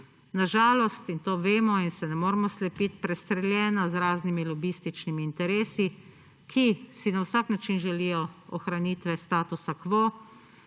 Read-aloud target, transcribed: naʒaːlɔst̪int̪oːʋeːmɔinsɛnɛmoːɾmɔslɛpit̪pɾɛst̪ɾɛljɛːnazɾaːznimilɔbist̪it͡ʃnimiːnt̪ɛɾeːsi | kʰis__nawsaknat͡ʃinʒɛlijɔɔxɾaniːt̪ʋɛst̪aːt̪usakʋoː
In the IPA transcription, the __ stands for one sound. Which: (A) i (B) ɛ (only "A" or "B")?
A